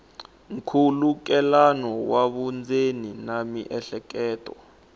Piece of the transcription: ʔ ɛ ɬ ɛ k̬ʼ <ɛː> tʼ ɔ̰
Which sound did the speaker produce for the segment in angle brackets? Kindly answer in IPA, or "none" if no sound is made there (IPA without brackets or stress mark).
ɛː